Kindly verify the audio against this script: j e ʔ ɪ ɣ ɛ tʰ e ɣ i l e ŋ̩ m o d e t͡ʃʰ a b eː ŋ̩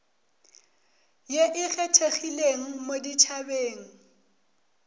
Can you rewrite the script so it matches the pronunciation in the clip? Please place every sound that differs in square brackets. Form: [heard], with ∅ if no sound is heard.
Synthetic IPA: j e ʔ ɪ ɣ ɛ tʰ e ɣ i l e ŋ̩ m o d [i] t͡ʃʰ a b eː ŋ̩